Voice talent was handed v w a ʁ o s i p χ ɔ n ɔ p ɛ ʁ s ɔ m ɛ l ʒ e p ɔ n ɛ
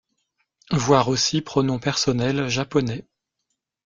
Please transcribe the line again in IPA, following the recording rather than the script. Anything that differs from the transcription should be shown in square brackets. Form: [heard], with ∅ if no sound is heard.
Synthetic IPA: v w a ʁ o s i p χ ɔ n [ɔ̃] p ɛ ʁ s ɔ [n] ɛ l ʒ [a] p ɔ n ɛ